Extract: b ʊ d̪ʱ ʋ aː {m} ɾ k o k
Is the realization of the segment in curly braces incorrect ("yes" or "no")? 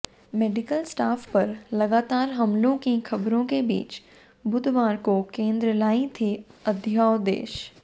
yes